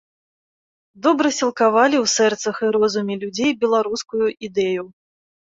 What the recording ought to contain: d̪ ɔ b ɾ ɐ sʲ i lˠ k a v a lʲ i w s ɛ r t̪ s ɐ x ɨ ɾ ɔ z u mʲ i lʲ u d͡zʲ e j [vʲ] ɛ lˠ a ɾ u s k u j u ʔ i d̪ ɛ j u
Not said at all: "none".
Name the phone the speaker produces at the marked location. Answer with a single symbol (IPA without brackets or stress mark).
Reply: bʲ